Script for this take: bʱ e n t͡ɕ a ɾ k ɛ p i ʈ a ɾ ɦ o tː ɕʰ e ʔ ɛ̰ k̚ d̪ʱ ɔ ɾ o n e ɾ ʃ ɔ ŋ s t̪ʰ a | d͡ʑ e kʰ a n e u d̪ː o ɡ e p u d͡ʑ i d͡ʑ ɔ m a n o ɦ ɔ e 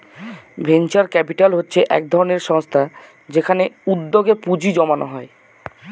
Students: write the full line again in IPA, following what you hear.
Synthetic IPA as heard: bʱ e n t͡ɕ a ɾ k ɛ p i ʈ a l ɦ o tː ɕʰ e ʔ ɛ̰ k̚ d̪ʱ ɔ ɾ o n e ɾ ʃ ɔ ŋ s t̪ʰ a | d͡ʑ e kʰ a n e u d̪ː o ɡ e p u d͡ʑ i d͡ʑ ɔ m a n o ɦ ɔ e